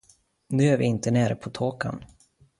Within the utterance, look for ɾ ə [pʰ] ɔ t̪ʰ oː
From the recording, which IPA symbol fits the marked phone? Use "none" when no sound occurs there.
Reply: pʰ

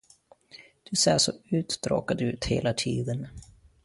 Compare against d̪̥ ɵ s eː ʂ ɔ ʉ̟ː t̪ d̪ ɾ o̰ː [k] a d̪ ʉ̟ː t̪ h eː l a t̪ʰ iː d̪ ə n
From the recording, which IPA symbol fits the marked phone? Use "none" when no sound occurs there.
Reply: k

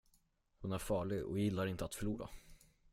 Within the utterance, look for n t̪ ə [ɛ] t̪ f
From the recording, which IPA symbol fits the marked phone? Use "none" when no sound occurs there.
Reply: a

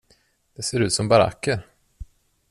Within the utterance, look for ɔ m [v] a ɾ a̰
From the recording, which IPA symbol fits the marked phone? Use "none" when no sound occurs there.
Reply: b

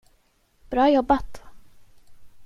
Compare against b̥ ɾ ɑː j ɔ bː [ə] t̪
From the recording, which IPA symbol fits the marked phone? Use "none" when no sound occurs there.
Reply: a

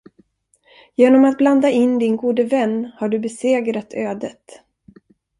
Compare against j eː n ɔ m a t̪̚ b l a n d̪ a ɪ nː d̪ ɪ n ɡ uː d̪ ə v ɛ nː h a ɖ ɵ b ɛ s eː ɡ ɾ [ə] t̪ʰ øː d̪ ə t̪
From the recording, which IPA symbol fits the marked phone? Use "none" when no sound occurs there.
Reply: a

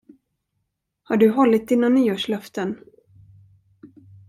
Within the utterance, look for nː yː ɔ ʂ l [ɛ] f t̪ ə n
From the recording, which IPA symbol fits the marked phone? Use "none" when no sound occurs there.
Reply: œ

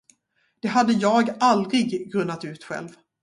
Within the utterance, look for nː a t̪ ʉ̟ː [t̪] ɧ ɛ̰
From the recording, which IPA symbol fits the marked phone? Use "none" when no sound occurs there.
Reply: t̪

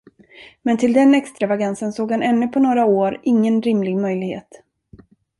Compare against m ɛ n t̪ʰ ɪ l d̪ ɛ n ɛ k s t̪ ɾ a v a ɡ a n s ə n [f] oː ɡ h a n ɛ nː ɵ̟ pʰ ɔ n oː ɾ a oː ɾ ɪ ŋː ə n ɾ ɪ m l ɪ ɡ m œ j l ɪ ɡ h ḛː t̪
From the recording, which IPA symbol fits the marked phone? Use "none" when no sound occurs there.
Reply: s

